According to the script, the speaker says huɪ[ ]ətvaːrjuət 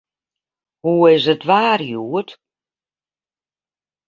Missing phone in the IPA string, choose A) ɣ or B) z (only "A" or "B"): B